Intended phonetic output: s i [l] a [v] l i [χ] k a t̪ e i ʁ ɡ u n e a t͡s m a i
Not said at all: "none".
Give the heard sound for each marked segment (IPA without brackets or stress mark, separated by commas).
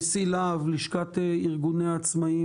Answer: l, v, ʃ